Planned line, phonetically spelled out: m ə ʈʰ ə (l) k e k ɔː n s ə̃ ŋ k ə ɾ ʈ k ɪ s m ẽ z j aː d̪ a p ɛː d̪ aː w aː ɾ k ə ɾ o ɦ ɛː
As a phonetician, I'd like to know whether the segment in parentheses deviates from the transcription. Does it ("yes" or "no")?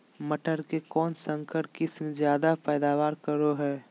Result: yes